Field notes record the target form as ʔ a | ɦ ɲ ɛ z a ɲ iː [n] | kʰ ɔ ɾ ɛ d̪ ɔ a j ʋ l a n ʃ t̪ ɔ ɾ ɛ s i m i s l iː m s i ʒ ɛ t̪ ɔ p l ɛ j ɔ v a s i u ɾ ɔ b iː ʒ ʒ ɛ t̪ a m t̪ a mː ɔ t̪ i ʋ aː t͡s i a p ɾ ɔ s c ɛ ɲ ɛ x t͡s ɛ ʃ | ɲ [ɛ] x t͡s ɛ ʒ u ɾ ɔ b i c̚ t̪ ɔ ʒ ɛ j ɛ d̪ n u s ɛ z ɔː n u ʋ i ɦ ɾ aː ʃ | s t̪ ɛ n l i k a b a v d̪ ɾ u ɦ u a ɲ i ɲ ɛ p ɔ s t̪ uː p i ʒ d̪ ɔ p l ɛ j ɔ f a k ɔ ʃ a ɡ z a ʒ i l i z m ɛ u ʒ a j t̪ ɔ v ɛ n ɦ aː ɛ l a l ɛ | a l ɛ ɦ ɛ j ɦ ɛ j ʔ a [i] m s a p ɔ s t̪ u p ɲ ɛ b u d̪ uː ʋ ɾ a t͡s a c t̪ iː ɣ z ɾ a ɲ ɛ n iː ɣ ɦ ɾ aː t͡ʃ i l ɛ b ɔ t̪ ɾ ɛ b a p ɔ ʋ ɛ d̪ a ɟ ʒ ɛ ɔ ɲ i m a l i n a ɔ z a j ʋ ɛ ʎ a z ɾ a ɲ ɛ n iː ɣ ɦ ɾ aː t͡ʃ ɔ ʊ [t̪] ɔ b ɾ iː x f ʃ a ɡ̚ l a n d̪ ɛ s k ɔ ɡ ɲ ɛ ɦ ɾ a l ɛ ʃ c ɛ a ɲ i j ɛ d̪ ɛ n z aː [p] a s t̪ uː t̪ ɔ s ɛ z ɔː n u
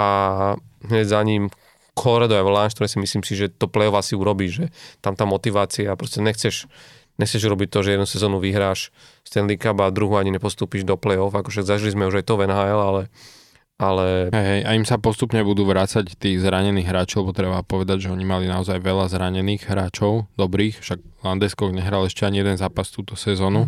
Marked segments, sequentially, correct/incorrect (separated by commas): incorrect, correct, correct, incorrect, correct